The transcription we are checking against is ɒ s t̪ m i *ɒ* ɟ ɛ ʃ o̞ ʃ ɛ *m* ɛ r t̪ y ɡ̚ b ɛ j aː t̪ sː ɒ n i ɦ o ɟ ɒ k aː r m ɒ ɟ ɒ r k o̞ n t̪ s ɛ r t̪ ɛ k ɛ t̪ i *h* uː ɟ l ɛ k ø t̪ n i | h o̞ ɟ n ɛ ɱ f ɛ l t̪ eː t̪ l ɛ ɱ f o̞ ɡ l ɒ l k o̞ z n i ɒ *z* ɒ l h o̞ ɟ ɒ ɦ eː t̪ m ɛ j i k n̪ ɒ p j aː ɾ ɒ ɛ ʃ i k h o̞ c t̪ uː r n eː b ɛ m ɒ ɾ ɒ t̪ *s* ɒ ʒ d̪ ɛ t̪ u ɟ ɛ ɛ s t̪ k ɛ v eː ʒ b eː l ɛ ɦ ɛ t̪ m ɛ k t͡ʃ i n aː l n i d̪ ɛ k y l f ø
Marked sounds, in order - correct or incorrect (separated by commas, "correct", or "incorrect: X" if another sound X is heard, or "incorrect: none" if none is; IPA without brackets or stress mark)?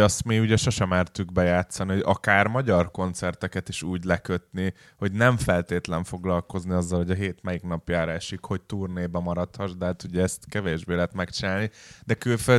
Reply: incorrect: u, correct, incorrect: ʃ, incorrect: zː, incorrect: h